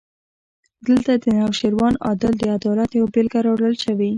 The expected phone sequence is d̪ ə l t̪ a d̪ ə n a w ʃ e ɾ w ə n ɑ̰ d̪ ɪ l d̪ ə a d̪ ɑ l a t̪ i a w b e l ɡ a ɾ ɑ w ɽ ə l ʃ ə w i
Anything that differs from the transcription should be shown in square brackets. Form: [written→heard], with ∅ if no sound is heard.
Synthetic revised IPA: d̪ ə l t̪ a d̪ ə n a w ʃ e ɾ w [ə→ɑ] n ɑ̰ d̪ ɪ l d̪ ə a d̪ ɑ l a t̪ [i→j] a w b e l ɡ a ɾ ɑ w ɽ ə l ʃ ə w i